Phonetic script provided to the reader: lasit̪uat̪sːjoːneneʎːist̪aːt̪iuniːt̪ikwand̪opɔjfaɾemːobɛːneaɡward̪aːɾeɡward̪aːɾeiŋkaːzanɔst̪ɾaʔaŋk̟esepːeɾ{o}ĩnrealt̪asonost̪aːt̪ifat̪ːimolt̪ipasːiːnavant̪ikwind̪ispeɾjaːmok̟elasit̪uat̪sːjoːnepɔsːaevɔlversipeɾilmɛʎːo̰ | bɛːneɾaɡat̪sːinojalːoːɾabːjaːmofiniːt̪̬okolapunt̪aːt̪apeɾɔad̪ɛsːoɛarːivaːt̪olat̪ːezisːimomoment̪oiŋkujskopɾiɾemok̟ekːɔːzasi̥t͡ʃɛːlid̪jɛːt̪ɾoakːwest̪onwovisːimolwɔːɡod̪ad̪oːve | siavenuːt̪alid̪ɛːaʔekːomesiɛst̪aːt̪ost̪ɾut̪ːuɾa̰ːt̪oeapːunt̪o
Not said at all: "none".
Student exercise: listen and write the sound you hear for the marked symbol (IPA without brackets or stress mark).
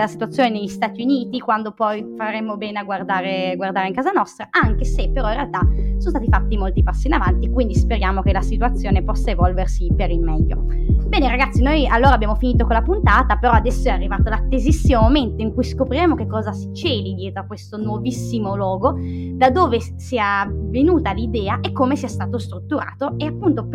ɔ